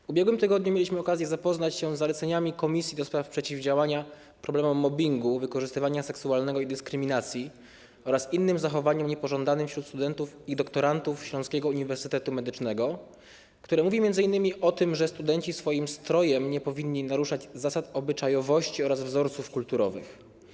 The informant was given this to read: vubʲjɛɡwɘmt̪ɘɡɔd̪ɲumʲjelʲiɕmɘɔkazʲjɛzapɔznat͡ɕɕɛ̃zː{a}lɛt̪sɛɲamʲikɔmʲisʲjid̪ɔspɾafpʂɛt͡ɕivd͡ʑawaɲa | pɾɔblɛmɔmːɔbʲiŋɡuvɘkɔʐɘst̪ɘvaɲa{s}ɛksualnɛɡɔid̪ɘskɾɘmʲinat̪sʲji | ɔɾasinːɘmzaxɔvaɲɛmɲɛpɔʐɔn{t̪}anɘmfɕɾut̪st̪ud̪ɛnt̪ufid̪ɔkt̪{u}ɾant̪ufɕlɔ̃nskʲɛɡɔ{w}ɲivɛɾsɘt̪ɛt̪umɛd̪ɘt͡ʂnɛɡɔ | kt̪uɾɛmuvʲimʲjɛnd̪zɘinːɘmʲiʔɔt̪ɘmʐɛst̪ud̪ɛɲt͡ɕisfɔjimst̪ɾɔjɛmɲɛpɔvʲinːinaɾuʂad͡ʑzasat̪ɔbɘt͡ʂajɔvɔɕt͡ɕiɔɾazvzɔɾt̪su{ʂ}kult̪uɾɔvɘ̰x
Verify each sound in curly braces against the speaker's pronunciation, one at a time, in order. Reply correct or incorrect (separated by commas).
correct, correct, incorrect, incorrect, incorrect, incorrect